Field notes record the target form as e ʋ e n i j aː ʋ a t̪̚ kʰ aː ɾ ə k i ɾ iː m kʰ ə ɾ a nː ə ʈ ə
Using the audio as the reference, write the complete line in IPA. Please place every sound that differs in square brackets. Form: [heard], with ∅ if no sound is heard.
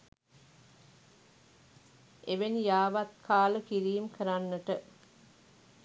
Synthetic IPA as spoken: e ʋ e n i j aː ʋ a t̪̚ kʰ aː [l] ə k i ɾ iː m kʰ ə ɾ a nː ə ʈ ə